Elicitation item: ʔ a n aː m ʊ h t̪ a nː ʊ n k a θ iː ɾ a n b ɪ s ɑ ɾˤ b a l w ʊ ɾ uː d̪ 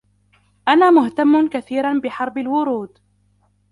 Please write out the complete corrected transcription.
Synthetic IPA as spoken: ʔ a n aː m ʊ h t̪ a mː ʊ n k a θ iː ɾ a n b ɪ ħ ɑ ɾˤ b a l w ʊ ɾ uː d̪